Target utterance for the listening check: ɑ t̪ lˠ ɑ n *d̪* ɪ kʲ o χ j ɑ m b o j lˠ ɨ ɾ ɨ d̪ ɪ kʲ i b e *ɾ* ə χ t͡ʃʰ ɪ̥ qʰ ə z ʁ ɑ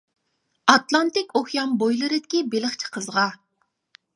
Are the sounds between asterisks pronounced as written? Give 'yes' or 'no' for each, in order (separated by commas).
no, no